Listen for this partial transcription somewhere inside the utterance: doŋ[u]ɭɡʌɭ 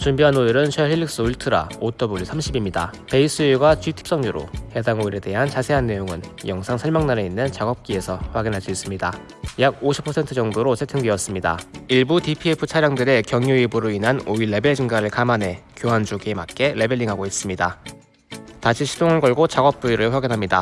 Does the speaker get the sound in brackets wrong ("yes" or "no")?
yes